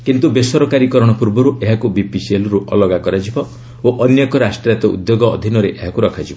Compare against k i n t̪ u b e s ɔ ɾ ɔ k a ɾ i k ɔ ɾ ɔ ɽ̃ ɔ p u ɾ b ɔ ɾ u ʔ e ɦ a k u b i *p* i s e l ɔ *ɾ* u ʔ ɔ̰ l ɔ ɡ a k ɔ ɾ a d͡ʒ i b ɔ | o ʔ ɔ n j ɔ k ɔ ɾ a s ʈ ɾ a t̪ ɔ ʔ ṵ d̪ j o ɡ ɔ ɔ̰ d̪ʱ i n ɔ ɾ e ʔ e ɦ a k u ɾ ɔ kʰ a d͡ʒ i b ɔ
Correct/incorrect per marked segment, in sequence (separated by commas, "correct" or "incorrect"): correct, correct